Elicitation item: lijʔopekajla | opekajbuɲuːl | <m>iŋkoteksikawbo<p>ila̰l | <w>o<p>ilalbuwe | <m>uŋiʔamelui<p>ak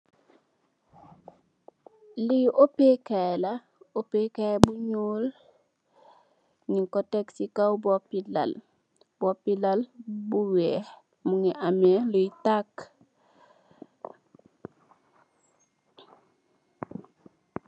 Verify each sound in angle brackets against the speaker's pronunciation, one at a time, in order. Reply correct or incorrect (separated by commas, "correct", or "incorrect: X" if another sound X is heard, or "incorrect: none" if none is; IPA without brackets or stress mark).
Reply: incorrect: n, correct, incorrect: b, correct, correct, incorrect: t